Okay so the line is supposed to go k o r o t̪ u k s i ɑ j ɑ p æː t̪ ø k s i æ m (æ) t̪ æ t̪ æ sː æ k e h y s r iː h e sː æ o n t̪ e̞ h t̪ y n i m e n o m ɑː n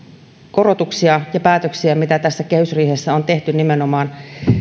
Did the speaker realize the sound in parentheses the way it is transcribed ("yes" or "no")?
no